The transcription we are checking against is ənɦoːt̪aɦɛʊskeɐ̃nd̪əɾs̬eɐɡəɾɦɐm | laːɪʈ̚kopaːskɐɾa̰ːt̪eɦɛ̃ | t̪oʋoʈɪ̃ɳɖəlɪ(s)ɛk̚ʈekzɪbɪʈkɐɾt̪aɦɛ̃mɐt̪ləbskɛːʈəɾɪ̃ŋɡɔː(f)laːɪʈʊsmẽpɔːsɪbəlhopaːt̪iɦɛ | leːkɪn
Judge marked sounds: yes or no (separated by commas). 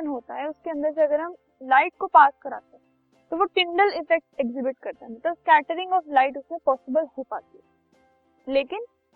no, yes